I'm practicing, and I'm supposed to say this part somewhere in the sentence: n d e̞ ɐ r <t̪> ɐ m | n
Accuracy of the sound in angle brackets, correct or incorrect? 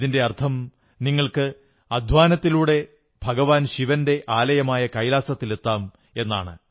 incorrect: t̪ʰ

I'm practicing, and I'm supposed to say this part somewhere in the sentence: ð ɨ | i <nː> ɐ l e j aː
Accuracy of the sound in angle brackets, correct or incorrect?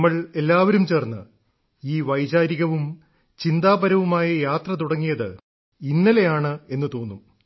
correct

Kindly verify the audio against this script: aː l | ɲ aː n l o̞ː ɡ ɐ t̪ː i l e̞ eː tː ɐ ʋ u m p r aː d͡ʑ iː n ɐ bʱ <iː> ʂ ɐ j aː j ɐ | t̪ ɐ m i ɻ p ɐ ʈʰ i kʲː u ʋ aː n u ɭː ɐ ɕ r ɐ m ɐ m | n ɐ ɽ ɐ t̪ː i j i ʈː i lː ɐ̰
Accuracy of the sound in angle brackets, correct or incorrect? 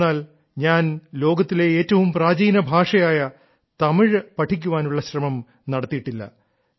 incorrect: aː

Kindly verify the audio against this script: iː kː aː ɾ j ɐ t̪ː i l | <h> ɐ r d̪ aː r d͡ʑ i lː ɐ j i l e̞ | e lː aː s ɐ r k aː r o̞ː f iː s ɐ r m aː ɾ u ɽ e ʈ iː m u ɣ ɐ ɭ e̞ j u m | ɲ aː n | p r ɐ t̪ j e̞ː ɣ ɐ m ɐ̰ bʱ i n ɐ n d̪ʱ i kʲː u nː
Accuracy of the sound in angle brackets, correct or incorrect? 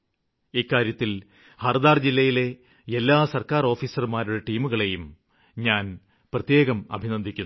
correct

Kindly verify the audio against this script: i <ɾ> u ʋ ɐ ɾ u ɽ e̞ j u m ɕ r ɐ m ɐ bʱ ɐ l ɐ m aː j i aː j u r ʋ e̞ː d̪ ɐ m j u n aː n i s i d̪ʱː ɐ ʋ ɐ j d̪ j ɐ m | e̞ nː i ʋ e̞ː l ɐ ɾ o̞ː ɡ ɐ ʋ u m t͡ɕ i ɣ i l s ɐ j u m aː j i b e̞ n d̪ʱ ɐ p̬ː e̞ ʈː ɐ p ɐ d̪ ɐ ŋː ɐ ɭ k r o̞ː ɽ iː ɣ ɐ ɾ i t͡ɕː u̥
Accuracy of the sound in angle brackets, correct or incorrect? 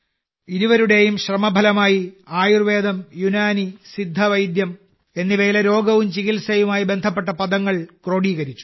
correct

